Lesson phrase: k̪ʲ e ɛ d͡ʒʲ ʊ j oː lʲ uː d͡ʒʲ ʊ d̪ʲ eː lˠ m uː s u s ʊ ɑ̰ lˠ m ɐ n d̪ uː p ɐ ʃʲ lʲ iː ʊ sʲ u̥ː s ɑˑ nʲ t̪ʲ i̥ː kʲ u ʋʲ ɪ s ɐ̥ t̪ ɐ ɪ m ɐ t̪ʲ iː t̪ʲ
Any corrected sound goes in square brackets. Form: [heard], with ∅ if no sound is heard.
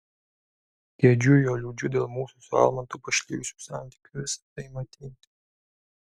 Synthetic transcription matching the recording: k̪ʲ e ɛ d͡ʒʲ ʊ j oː lʲ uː d͡ʒʲ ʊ d̪ʲ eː lˠ m uː s u s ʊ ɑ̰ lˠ m ɐ n [t̪] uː p ɐ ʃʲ lʲ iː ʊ sʲ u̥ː s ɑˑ nʲ t̪ʲ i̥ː kʲ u ʋʲ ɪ s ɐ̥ t̪ ɐ ɪ m ɐ t̪ʲ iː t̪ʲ